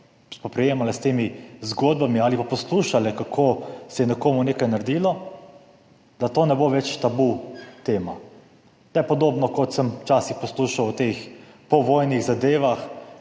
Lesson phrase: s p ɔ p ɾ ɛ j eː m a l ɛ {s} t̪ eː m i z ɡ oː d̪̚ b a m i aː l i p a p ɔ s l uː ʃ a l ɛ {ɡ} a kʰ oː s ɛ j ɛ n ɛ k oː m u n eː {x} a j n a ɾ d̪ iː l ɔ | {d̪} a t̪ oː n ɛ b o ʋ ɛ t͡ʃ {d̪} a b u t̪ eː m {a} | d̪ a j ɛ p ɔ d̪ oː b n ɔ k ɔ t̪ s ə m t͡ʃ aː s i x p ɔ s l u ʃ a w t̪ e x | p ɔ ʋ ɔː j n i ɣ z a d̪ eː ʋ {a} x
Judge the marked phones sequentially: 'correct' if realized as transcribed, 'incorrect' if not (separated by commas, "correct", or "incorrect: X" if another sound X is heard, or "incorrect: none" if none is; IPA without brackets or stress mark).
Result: correct, incorrect: k, incorrect: k, correct, incorrect: t̪, correct, correct